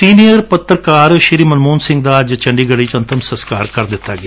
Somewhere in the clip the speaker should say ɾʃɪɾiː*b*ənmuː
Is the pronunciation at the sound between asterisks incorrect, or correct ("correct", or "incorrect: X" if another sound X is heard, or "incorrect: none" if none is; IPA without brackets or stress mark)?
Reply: incorrect: m